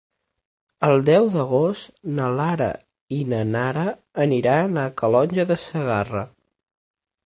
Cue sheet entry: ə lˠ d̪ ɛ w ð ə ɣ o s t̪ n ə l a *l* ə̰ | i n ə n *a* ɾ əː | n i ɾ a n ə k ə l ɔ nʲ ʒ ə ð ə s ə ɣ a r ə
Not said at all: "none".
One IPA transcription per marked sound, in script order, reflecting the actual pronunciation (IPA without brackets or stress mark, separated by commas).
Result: ɾ, a